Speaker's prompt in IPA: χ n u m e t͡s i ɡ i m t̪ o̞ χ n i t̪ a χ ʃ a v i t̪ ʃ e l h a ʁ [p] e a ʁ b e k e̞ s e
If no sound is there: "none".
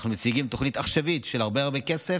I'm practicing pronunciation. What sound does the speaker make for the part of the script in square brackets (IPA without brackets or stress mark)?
b